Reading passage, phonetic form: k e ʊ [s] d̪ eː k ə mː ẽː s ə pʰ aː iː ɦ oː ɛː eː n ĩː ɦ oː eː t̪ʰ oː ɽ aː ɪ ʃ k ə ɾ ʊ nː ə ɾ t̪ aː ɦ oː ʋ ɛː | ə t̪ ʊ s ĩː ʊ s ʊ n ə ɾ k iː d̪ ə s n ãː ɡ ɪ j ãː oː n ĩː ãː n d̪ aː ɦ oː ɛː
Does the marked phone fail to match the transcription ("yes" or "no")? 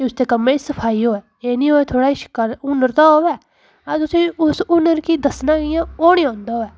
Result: no